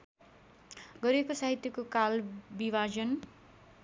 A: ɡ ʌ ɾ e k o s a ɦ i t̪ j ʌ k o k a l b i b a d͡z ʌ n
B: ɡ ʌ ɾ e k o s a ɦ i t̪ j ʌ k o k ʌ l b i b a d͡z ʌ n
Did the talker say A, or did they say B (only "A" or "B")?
A